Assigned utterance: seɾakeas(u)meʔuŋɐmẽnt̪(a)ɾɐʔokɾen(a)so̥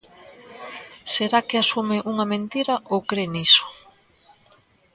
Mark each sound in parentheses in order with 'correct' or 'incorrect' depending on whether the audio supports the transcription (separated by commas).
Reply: correct, incorrect, incorrect